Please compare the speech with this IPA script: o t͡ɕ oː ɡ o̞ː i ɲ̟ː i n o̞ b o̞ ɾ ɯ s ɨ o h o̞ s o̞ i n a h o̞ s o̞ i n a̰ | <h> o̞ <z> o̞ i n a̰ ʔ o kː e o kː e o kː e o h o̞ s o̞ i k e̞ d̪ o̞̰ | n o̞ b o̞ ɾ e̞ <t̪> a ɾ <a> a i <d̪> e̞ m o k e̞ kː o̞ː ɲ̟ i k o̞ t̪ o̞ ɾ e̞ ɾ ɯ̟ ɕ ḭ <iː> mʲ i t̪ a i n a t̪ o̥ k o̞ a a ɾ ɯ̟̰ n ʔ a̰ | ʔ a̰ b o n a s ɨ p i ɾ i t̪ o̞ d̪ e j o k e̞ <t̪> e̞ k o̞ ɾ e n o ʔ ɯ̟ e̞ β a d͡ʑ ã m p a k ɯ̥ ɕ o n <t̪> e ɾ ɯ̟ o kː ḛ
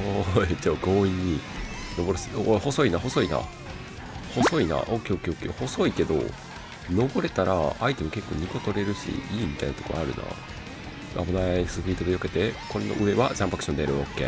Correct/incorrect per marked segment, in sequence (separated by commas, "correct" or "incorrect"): correct, incorrect, correct, correct, incorrect, correct, correct, incorrect